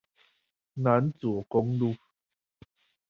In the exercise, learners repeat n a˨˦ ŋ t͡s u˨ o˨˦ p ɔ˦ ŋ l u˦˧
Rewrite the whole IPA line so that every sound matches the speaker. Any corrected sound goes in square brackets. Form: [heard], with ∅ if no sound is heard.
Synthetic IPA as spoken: n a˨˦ [n] t͡s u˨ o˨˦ [k] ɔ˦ ŋ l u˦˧